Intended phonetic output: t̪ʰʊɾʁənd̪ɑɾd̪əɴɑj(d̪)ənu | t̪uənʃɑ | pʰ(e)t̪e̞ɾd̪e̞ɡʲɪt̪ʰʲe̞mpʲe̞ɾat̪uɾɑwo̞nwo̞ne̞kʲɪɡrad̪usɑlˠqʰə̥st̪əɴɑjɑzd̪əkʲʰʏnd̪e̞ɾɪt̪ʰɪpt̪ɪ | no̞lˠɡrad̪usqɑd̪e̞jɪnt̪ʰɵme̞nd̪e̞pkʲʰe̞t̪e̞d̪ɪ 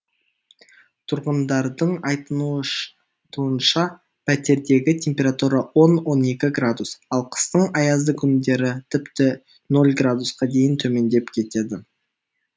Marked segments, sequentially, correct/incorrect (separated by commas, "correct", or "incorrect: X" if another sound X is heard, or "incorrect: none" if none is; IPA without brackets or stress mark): incorrect: t̪, incorrect: æ